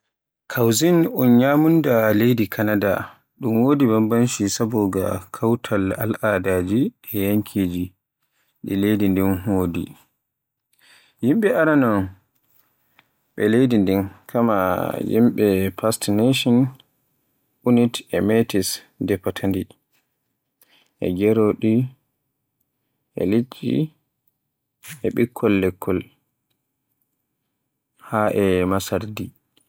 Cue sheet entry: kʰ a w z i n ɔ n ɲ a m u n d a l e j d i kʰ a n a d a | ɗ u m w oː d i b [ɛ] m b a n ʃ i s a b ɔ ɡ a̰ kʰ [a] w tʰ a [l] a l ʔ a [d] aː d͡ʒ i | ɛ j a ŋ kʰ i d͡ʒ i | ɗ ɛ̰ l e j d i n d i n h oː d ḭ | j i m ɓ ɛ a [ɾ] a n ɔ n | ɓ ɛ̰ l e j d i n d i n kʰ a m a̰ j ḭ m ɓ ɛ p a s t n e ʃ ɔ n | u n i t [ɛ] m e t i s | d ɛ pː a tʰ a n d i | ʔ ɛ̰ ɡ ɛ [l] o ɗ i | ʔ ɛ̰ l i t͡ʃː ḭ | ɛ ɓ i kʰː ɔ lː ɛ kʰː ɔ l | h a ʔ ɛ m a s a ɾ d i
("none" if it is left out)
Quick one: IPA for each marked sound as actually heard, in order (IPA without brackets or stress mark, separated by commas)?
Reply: a, a, l, d, ɾ, ɛ, ɾ